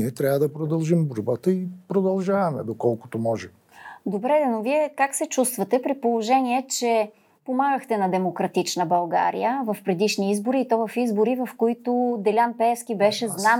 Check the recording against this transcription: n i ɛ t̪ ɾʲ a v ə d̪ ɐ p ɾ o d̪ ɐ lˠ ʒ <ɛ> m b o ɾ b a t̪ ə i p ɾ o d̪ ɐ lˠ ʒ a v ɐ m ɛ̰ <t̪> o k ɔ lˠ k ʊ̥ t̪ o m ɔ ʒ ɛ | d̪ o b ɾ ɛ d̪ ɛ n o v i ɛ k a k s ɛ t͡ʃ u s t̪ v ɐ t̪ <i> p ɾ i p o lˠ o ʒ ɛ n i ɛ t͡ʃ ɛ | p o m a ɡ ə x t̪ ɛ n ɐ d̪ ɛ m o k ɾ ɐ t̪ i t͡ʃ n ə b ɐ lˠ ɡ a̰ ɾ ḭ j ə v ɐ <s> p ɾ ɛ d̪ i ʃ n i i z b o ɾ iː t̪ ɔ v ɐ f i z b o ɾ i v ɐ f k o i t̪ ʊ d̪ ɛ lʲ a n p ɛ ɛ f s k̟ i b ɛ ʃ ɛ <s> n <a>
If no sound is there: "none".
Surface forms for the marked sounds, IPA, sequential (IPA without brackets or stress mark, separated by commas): i, d̪, ɛ, f, z, a